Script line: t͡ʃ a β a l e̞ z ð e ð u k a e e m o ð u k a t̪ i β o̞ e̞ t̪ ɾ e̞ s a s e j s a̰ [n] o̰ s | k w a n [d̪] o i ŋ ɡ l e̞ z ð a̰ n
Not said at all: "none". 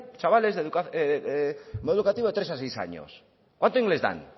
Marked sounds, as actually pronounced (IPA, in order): ɲ, t̪

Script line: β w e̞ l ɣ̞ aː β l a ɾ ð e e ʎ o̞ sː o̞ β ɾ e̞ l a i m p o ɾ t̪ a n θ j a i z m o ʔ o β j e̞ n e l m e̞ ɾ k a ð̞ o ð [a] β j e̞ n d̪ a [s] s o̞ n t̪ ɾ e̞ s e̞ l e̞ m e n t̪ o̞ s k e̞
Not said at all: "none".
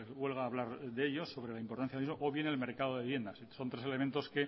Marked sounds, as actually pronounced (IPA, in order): e, s

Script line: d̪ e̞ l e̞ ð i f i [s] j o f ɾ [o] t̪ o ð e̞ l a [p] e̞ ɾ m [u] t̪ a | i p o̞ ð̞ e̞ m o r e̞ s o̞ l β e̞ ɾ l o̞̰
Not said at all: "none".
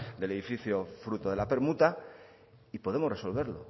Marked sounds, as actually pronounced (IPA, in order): θ, u, p, u

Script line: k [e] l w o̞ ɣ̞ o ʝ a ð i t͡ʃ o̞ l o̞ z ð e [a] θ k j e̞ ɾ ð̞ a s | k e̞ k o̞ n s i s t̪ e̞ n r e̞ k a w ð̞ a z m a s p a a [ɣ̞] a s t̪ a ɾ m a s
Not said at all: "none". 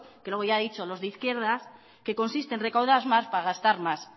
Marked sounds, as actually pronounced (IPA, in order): e, i, ɣ̞

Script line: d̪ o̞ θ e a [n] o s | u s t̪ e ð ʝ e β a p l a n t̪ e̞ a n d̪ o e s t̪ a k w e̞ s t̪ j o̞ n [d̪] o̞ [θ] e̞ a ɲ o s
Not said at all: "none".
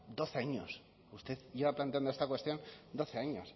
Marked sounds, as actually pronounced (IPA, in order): ɲ, d̪, θ

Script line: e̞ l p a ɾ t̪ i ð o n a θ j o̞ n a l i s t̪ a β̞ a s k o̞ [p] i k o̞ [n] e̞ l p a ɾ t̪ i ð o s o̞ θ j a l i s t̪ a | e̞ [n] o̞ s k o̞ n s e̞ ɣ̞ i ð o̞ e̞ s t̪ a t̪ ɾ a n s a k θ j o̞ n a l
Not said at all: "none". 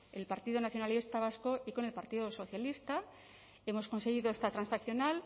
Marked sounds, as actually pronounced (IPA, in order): none, n, m

